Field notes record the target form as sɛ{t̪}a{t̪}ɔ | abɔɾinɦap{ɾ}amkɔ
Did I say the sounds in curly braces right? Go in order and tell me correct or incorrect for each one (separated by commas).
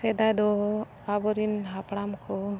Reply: incorrect, incorrect, incorrect